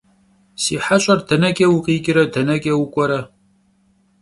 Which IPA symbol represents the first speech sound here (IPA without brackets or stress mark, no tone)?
s